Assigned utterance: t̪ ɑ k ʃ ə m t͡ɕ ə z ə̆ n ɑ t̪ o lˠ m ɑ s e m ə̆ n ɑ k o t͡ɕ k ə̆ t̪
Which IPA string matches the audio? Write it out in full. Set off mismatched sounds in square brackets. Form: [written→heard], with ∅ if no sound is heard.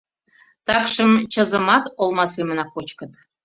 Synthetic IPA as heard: t̪ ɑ k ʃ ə m t͡ɕ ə z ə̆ [n→m] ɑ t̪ o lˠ m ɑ s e m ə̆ n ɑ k o t͡ɕ k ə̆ t̪